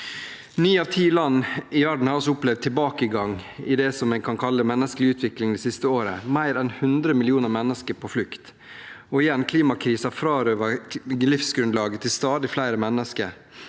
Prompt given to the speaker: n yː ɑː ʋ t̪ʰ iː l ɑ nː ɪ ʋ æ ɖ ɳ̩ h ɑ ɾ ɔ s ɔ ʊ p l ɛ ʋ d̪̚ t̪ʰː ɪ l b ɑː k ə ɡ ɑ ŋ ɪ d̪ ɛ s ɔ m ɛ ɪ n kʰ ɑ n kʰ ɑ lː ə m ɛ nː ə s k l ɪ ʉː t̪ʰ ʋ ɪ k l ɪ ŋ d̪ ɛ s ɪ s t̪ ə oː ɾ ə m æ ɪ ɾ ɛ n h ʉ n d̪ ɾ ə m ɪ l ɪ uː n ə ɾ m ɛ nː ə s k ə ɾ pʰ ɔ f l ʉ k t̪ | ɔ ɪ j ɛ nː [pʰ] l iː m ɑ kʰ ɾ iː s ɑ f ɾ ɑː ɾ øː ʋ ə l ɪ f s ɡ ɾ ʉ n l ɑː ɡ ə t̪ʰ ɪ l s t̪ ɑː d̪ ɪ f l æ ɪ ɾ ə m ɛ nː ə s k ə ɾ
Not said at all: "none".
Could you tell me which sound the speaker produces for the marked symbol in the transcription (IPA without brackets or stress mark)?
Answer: kʰ